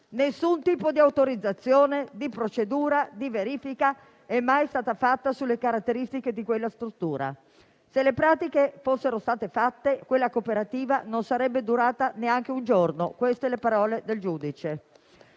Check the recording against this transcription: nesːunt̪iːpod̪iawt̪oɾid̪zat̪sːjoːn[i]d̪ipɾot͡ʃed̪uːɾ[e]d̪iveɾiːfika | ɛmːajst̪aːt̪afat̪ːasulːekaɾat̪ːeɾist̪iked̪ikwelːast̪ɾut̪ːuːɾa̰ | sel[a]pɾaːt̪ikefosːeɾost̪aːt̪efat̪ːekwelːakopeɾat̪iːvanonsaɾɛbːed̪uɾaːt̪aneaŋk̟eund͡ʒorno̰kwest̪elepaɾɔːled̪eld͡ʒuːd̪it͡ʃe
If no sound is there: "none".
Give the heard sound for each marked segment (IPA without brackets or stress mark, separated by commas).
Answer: e, a, e